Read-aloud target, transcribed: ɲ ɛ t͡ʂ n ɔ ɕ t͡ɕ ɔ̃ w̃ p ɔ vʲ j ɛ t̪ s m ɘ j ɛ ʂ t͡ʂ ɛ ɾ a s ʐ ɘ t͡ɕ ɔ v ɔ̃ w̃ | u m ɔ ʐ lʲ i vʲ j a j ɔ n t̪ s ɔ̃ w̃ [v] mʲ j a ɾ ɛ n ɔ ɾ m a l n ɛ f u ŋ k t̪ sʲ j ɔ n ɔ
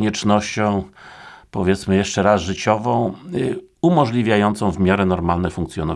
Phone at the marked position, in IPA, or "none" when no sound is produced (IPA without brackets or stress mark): v